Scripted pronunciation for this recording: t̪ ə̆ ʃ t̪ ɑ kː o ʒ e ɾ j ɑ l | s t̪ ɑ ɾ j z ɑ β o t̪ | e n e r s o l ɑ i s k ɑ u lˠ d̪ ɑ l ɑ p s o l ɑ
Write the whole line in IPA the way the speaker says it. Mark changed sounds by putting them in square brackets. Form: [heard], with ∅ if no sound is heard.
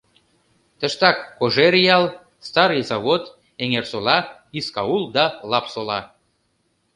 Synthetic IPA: t̪ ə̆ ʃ t̪ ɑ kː o ʒ e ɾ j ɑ l | s t̪ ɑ ɾ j z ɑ β o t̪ | e [ŋ] e r s o l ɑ i s k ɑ u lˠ d̪ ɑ l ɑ p s o l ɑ